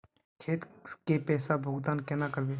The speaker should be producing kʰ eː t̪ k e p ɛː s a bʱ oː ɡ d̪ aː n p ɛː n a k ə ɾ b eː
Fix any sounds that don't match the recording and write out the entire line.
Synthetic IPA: kʰ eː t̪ k e p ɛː s a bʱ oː ɡ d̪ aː n k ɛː n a k ə ɾ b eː

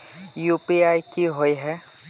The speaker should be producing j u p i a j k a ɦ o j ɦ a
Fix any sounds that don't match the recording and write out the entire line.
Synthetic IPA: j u p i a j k i ɦ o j ɦ ɛ

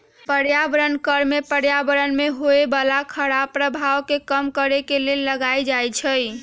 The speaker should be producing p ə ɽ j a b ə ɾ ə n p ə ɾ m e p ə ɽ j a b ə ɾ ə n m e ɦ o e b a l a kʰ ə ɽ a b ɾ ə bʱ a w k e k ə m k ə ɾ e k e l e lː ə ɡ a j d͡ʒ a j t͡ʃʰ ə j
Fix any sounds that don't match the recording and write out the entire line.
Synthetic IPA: p ə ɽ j a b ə ɾ ə n k ə ɾ m e p ə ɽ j a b ə ɾ ə n m e ɦ o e b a l a kʰ ə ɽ a p ɾ ə bʱ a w k e k ə m k ə ɾ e k e l e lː ə ɡ a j d͡ʒ a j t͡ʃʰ ə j

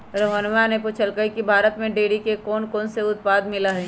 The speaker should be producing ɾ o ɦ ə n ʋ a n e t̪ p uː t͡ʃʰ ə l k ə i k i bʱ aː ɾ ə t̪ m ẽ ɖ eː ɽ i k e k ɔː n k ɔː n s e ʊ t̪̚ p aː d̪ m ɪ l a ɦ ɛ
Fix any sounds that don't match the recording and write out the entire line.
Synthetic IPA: ɾ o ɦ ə n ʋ a n e p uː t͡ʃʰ ə l k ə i k i bʱ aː ɾ ə t̪ m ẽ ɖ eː ɽ i k e k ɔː n k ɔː n s e ʊ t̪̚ p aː d̪ m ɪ l a ɦ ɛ

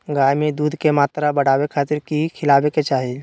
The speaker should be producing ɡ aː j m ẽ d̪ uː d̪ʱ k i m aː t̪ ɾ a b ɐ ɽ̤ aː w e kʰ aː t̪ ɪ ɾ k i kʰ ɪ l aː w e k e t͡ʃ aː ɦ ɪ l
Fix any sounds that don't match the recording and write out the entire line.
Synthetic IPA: ɡ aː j m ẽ d̪ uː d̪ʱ k e m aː t̪ ɾ a b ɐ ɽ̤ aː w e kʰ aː t̪ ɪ ɾ k i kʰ ɪ l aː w e k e t͡ʃ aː ɦ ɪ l

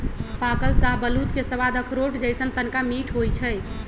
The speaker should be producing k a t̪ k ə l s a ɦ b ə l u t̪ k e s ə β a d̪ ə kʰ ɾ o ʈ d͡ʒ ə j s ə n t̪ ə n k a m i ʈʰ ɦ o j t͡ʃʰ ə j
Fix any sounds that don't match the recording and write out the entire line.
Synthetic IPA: p a k ə l s a ɦ b ə l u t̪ k e s ə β a d̪ ə kʰ ɾ o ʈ d͡ʒ ə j s ə n t̪ ə n k a m i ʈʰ ɦ o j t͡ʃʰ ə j

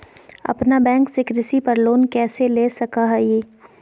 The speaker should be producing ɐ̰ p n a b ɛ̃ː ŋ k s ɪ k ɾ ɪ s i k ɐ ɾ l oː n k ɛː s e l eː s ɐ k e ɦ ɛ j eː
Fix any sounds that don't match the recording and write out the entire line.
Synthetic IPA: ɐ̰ p n a b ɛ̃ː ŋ k s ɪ k ɾ ɪ s i p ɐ ɾ l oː n k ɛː s e l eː s ɐ k a ɦ ɛ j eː

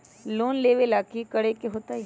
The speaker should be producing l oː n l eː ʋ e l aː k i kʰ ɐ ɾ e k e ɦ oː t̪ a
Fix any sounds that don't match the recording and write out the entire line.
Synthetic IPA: l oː n l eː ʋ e l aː k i k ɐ ɽ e k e ɦ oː t̪ a

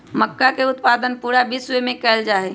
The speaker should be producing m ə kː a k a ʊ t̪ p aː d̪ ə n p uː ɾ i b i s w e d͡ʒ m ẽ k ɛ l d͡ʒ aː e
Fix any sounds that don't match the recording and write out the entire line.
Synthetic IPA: m ə kː a k e ʊ t̪ p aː d̪ ə n p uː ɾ a b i s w e m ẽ k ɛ l d͡ʒ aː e

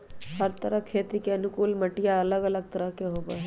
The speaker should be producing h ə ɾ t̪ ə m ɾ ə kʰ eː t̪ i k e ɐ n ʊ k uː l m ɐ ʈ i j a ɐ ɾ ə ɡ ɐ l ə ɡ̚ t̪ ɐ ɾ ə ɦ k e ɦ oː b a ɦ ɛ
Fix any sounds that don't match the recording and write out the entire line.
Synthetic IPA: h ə ɾ t̪ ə ɾ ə kʰ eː t̪ i k e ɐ n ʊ k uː l m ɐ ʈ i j a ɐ l ə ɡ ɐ l ə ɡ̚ t̪ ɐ ɾ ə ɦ k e ɦ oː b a ɦ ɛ

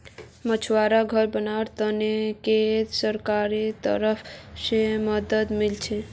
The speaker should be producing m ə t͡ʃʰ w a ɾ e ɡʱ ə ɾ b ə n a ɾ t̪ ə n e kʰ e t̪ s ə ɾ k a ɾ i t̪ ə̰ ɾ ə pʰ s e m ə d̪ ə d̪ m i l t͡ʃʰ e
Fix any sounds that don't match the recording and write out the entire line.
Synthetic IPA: m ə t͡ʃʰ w a ɾ a ɡʱ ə ɾ b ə n a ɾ t̪ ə n e k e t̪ s ə ɾ k a ɾ i t̪ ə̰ ɾ ə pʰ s e m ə d̪ ə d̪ m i l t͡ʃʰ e

